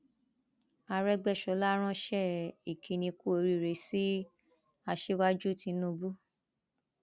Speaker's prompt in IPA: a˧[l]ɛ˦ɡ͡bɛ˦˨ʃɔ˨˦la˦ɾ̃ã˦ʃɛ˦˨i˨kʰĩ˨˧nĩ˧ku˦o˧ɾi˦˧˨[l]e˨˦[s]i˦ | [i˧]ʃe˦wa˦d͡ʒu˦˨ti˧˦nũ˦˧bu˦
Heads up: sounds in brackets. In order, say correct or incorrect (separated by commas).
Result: incorrect, incorrect, correct, incorrect